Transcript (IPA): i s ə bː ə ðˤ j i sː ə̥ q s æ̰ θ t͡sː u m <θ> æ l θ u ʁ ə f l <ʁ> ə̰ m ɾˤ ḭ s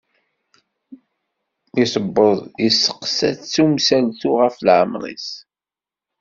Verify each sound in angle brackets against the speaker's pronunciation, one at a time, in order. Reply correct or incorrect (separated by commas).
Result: incorrect, incorrect